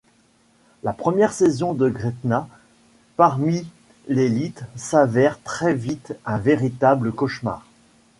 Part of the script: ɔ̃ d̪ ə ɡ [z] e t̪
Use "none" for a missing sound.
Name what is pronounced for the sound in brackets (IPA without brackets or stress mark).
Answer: ʁ